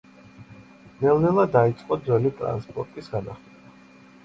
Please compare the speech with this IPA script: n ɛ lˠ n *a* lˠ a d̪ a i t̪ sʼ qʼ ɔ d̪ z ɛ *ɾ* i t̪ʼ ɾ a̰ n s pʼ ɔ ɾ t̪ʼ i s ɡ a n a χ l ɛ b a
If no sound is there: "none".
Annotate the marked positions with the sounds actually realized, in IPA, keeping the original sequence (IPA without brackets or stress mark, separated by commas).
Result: ɛ, l